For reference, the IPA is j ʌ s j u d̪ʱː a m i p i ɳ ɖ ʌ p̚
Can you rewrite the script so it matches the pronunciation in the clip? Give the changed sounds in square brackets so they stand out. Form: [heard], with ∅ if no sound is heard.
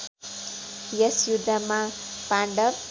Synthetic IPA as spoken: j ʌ s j u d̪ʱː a m [a] p [a] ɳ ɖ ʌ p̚